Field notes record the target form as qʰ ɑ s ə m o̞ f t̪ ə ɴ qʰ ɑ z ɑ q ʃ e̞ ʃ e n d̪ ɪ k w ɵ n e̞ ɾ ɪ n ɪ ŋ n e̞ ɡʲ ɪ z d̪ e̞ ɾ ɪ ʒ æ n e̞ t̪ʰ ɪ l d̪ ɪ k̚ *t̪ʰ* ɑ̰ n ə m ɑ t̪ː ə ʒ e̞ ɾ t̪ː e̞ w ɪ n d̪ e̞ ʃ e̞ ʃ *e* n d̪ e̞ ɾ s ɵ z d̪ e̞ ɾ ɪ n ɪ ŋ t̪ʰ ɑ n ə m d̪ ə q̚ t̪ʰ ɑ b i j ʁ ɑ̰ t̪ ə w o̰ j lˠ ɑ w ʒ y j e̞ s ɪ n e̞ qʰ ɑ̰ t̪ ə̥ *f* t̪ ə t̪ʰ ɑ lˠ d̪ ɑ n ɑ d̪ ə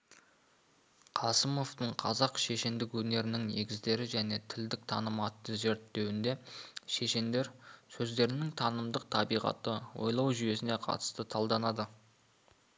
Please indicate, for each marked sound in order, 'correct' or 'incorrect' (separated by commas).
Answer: correct, correct, incorrect